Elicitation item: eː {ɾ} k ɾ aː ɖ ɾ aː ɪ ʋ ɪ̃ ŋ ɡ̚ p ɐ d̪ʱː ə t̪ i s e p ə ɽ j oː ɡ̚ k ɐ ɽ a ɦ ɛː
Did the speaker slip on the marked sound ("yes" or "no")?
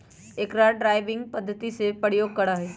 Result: yes